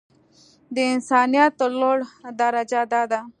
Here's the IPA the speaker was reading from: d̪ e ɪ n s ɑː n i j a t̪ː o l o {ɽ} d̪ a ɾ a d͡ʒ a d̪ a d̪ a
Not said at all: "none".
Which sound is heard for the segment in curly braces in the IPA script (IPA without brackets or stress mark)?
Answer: ɽ